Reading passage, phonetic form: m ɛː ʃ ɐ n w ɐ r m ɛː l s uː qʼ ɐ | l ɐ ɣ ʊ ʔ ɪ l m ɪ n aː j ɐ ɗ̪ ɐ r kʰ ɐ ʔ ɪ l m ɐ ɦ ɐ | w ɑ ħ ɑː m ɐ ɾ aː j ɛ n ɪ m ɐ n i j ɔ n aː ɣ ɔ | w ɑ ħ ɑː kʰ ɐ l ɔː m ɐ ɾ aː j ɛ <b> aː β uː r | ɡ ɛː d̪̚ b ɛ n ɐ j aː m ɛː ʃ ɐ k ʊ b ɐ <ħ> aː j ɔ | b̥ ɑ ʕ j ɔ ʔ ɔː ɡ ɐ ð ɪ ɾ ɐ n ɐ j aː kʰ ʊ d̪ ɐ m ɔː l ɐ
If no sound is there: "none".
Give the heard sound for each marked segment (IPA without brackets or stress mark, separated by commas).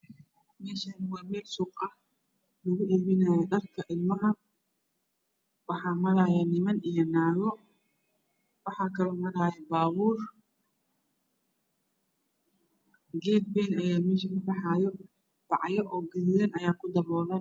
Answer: b, ħ